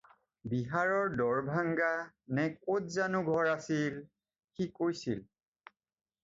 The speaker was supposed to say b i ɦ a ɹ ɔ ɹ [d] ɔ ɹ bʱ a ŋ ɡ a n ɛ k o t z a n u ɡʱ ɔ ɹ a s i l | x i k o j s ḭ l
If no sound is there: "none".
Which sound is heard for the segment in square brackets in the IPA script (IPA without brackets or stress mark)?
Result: d